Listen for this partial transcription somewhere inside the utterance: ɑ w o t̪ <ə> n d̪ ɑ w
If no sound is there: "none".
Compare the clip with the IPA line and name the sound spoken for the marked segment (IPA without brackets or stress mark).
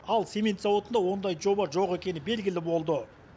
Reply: ə